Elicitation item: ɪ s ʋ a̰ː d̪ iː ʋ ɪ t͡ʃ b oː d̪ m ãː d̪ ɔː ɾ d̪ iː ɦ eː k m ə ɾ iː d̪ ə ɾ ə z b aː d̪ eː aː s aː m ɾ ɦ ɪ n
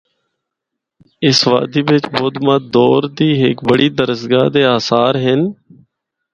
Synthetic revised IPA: ɪ s ʋ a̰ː d̪ iː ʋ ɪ t͡ʃ b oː d̪ m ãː d̪ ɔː ɾ d̪ iː ɦ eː k b ə ɽ iː d̪ ə ɾ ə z ɡ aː d̪ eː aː s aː ɾ ɦ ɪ n